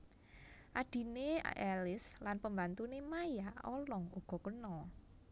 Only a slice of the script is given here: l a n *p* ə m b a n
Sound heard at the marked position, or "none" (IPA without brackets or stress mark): p